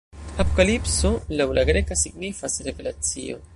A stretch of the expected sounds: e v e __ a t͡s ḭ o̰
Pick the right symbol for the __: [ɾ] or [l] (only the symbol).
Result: l